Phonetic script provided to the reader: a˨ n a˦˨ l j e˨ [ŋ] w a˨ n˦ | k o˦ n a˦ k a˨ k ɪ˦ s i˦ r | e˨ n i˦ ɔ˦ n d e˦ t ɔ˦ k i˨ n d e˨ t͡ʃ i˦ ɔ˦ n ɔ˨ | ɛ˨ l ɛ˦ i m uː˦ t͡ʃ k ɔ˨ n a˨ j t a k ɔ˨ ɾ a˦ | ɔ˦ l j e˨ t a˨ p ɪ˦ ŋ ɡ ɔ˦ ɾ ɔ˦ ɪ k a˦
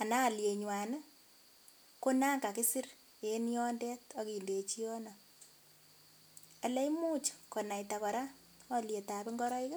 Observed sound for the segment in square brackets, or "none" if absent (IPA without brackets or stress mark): ɲ